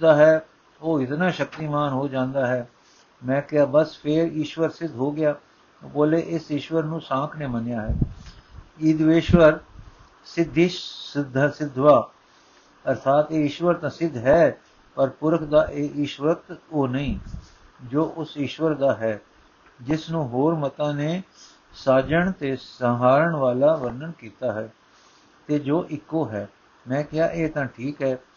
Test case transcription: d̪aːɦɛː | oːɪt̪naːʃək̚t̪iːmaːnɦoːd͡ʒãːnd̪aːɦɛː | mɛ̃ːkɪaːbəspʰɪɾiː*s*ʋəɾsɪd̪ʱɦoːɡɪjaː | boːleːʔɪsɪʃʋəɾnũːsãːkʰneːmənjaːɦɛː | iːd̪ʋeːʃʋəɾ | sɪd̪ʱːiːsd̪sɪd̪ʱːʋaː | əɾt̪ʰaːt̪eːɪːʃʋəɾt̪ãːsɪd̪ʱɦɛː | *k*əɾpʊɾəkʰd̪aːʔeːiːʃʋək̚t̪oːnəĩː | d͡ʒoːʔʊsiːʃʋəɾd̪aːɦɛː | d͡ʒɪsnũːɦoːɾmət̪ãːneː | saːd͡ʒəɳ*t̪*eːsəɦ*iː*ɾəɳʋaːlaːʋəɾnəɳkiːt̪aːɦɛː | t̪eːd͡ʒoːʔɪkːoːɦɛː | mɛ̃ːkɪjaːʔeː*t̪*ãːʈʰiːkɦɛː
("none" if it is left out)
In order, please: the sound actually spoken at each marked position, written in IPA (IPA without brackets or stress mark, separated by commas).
ʃ, p, t̪, aː, t̪